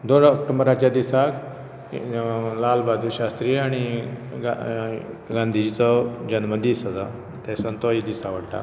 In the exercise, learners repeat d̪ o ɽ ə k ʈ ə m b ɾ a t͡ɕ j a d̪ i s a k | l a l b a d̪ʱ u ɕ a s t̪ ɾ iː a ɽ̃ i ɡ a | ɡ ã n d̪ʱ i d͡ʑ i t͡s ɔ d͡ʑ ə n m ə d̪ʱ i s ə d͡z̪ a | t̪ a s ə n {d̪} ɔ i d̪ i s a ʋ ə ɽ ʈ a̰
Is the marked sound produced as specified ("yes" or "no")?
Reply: no